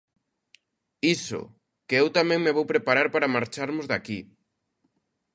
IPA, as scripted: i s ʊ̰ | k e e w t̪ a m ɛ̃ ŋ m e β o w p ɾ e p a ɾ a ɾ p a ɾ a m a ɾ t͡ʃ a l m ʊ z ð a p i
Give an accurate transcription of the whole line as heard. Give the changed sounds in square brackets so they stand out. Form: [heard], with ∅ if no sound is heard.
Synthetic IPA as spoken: i s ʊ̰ | k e e w t̪ a m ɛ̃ ŋ m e β o w p ɾ e p a ɾ a ɾ p a ɾ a m a ɾ t͡ʃ a [ɾ] m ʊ z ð a [k] i